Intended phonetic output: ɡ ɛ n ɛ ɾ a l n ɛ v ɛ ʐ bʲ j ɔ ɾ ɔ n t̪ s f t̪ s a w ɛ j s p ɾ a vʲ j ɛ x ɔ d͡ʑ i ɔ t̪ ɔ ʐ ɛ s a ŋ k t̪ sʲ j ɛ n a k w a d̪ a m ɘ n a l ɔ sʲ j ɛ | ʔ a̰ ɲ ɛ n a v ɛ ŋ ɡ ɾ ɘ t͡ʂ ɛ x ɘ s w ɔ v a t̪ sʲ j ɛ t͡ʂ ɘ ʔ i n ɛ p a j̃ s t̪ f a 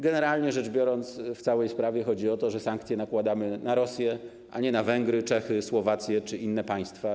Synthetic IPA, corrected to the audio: ɡ ɛ n ɛ ɾ a l ɲ ɛ ʐ ɛ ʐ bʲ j ɔ ɾ ɔ n t̪ s f t̪ s a w ɛ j s p ɾ a vʲ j ɛ x ɔ d͡ʑ i ɔ t̪ ɔ ʐ ɛ s a ŋ k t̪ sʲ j ɛ n a k w a d̪ a m ɘ n a ɾ ɔ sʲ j ɛ | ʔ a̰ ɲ ɛ n a v ɛ ŋ ɡ ɾ ɘ t͡ʂ ɛ x ɘ s w ɔ v a t̪ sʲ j ɛ t͡ʂ ɘ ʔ i nː ɛ p a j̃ s t̪ f a

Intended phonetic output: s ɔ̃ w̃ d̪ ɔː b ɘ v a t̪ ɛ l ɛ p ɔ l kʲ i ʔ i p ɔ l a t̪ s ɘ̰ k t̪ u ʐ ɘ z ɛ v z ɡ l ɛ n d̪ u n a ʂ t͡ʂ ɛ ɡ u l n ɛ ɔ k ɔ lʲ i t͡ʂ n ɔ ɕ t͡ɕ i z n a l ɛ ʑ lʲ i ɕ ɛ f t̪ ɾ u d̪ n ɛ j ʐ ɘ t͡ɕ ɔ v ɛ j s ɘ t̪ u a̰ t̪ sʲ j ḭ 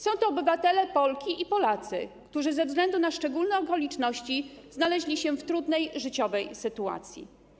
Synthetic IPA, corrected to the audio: s ɔ̃ w̃ t̪ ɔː b ɘ v a t̪ ɛ l ɛ p ɔ l kʲ i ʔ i p ɔ l a t̪ s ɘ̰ k t̪ u ʐ ɘ z ɛ v z ɡ l ɛ n d̪ u n a ʂ t͡ʂ ɛ ɡ u l n ɛ ɔ k ɔ lʲ i t͡ʂ n ɔ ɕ t͡ɕ i z n a l ɛ ʑ lʲ i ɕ ɛ f t̪ ɾ u d̪ n ɛ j ʐ ɘ t͡ɕ ɔ v ɛ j s ɘ t̪ u a̰ t̪ sʲ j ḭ

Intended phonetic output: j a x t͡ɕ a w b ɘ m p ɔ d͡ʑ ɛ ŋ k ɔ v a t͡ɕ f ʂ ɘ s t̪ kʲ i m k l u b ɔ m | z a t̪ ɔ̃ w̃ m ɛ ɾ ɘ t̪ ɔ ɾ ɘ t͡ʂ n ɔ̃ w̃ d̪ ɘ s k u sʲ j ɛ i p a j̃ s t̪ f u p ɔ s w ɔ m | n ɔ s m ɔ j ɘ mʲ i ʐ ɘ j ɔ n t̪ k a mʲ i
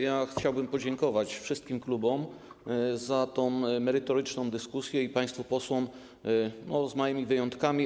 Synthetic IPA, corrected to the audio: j a x t͡ɕ a w b ɘ m p ɔ d͡ʑ ɛ ŋ k ɔ v a t͡ɕ f ʂ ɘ s t̪ kʲ i m k l u b ɔ m | z a t̪ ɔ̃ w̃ m ɛ ɾ ɘ t̪ ɔ ɾ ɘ t͡ʂ n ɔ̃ w̃ d̪ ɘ s k u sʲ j ɛ i p a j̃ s t̪ f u p ɔ s w ɔ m | n ɔ z m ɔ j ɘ mʲ i v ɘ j ɔ n t̪ k a mʲ i

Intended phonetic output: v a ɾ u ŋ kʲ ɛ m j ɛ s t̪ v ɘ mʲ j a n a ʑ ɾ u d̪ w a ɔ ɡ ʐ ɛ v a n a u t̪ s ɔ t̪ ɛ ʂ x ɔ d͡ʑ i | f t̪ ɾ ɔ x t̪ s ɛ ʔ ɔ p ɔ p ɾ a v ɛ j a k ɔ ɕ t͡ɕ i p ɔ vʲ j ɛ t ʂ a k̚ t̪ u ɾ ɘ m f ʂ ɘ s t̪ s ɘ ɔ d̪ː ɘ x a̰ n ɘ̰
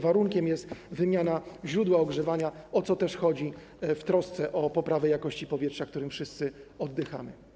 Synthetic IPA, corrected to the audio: v a ɾ u ŋ kʲ ɛ m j ɛ s t̪ v ɘ mʲ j a n a ʑ ɾ u d̪ w a ɔ ɡ ʐ ɛ v a ɲ a ɔ t̪ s ɔ t̪ ɛ ʂ x ɔ d͡ʑ i | f t̪ ɾ ɔ s t̪ s ɛ ʔ ɔ p ɔ p ɾ a v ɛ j a k ɔ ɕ t͡ɕ i p ɔ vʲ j ɛ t ʂ a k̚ t̪ u ɾ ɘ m f ʂ ɘ s t̪ s ɘ ɔ d̪ː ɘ x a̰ m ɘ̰

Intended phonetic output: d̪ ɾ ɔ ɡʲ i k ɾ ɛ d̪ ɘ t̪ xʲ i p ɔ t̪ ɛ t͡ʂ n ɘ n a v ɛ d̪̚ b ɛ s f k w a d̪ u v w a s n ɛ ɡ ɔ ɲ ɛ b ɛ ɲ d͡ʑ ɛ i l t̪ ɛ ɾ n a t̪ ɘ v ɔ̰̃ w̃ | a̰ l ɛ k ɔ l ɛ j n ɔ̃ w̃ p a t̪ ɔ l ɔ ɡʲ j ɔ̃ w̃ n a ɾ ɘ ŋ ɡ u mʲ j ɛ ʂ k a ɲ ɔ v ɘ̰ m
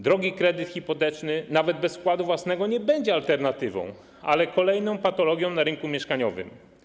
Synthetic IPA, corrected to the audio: d̪ ɾ ɔ ɡʲ i k ɾ ɛ d̪ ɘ t̪ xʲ i p ɔ t̪ ɛ t͡ʂ n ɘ n a v ɛ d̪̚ b ɛ s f k w a d̪ u v w a s n ɛ ɡ ɔ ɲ ɛ b ɛ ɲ d͡ʑ ɛ a l t̪ ɛ ɾ n a t̪ ɘ v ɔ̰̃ w̃ | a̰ l ɛ k ɔ l ɛ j n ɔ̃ w̃ p a t̪ ɔ l ɔ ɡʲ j ɔ̃ w̃ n a ɾ ɘ ŋ k u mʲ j ɛ ʂ k a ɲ ɔ v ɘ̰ m

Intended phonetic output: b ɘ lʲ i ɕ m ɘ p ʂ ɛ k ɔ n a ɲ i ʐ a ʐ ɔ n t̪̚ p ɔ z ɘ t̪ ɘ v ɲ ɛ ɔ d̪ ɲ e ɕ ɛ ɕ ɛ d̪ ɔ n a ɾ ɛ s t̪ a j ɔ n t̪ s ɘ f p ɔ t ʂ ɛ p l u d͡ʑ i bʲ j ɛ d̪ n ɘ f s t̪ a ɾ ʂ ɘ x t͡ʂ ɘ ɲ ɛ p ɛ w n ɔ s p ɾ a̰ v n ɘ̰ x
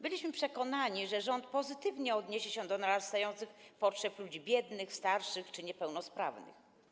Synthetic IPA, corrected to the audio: b ɘ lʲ i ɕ m ɘ p ʂ ɛ k ɔ n a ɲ i ʐ ɛ ʐ ɔ n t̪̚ p ɔ z ɘ t̪ ɘ v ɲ ɛ ɔ d̪ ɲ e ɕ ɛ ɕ ɛ d̪ ɔ n a ɾ a s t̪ a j ɔ n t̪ s ɘ x p ɔ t ʂ ɛ p l u d͡ʑ i bʲ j ɛ d̪ n ɘ x s t̪ a ɾ ʂ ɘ x t͡ʂ ɘ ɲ ɛ p ɛ w n ɔ s p ɾ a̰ v n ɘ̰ x

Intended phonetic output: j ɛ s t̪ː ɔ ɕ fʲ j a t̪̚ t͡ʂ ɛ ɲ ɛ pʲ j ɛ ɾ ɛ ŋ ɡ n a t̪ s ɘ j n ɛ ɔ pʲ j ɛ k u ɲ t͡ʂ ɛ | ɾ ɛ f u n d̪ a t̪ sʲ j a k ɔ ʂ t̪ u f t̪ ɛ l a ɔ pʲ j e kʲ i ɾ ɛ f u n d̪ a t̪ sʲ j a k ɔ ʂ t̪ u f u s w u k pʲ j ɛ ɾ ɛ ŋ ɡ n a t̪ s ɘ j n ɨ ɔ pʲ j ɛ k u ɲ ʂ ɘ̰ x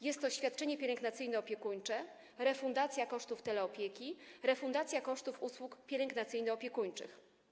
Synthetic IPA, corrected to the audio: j ɛ s t̪ː ɔ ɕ fʲ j a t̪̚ t͡ʂ ɛ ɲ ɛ pʲ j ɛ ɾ ɛ ŋ ɡ n a t̪ s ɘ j n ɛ ɔ pʲ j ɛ k u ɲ t͡ʂ ɛ | ɾ ɛ f u n d̪ a t̪ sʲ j a k ɔ ʂ t̪ u f t̪ ɛ l ɛ ɔ pʲ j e kʲ i ɾ ɛ f u n d̪ a t̪ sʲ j a k ɔ ʂ t̪ u f u s w u k pʲ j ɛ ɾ ɛ ŋ ɡ n a t̪ s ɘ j n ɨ ɔ pʲ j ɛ k u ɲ t͡ʂ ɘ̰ x

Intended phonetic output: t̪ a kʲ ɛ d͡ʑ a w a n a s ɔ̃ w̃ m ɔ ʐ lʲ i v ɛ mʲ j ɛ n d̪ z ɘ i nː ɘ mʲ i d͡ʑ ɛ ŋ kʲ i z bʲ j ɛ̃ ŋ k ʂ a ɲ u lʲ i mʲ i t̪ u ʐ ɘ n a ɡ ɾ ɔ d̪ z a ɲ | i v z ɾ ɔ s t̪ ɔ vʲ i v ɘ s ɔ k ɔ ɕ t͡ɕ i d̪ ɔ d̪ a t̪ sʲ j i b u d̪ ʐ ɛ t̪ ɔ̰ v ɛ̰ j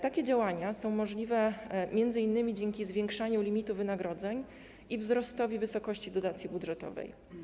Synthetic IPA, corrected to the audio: t̪ a kʲ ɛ d͡ʑ a w a ɲ a s ɔ̃ w̃ m ɔ ʐ lʲ i v ɛ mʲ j ɛ n d̪ z ɘ i nː ɘ mʲ i d͡ʑ ɛ ŋ kʲ i z vʲ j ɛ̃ ŋ k ʂ a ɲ u lʲ i mʲ i t̪ u v ɘ n a ɡ ɾ ɔ d̪ z ɛ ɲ | i v z ɾ ɔ s t̪ ɔ vʲ i v ɘ s ɔ k ɔ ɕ t͡ɕ i d̪ ɔ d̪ a t̪ sʲ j i b u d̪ ʐ ɛ t̪ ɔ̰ v ɛ̰ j

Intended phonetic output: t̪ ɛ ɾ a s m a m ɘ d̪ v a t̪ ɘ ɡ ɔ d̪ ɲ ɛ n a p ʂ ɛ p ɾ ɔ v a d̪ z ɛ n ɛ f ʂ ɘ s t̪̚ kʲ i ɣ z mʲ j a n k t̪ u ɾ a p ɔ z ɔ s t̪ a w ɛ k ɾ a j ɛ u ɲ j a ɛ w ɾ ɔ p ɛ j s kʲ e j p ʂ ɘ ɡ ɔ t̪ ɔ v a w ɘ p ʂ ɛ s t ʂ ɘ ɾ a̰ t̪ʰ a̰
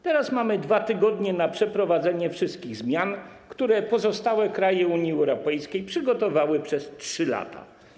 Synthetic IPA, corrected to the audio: t̪ ɛ ɾ a s m a m ɘ d̪ v a t̪ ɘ ɡ ɔ d̪ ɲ ɛ n a p ʂ ɛ p ɾ ɔ v a d̪ z ɛ ɲ ɛ f ʂ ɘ s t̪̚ kʲ i ɣ z mʲ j a n k t̪ u ɾ ɛ p ɔ z ɔ s t̪ a w ɛ k ɾ a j ɛ u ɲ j i ɛ w ɾ ɔ p ɛ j s kʲ e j p ʂ ɘ ɡ ɔ t̪ ɔ v a w ɘ p ʂ ɛ s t ʂ ɘ l a̰ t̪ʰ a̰

